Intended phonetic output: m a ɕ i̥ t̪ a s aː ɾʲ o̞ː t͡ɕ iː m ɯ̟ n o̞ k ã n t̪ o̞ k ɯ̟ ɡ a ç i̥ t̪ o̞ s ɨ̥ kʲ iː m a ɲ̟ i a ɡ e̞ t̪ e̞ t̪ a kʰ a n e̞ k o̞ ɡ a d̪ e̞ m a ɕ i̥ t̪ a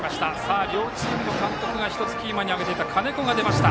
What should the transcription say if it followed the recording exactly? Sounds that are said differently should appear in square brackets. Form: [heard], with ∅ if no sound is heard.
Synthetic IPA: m a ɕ i̥ t̪ a s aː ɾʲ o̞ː t͡ɕ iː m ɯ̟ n o̞ k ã n t̪ o̞ k ɯ̟ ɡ a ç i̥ t̪ o̞ [t͡s] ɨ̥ kʲ iː m a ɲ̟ i a ɡ e̞ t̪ e̞ t̪ a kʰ a n e̞ k o̞ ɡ a d̪ e̞ m a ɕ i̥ t̪ a